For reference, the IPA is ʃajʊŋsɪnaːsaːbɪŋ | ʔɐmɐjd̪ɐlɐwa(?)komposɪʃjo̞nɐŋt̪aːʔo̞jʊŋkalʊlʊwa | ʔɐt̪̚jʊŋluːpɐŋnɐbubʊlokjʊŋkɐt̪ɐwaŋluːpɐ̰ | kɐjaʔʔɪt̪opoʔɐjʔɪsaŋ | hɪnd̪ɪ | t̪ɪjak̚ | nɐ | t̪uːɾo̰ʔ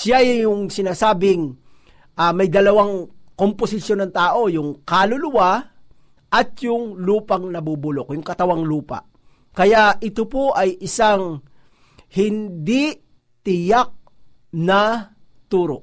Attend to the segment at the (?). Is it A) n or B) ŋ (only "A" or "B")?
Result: B